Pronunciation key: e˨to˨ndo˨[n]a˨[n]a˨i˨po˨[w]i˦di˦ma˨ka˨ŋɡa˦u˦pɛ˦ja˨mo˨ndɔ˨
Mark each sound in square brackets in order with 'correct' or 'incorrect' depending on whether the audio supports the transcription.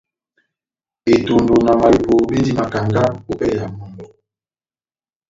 correct, incorrect, incorrect

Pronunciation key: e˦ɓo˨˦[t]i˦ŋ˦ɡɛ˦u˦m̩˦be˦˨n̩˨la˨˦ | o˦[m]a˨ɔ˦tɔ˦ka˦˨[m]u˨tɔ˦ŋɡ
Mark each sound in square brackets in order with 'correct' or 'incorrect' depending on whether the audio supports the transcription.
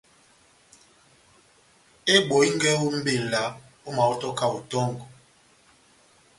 incorrect, correct, incorrect

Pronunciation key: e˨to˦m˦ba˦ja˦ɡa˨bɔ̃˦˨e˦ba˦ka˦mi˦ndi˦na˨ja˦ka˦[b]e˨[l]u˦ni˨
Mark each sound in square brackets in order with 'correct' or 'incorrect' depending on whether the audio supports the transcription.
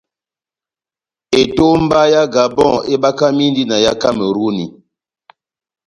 incorrect, incorrect

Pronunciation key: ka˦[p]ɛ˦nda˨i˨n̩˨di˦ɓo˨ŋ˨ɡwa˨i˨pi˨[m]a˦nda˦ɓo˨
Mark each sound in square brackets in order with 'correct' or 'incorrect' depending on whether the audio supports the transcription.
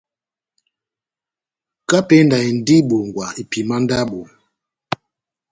correct, correct

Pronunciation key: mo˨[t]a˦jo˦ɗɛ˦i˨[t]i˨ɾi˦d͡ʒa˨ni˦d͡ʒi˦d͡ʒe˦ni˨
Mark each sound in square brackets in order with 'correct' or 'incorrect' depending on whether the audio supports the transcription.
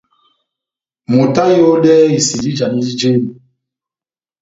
correct, incorrect

